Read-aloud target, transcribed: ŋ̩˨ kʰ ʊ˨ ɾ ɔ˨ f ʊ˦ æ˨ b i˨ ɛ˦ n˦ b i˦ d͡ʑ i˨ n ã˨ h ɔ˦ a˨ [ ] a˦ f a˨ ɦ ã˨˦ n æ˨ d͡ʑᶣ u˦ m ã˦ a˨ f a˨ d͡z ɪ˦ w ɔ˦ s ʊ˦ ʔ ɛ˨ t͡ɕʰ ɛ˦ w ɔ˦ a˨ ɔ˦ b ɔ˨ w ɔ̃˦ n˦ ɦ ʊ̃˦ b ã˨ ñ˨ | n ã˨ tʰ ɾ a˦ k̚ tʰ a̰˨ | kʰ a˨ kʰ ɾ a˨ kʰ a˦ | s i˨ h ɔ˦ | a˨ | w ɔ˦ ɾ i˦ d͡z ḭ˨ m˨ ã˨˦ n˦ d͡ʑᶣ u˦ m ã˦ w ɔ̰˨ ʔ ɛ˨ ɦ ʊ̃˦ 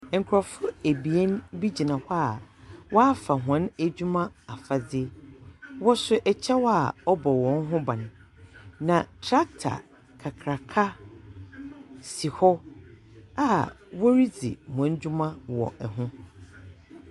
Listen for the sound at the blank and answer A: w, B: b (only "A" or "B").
A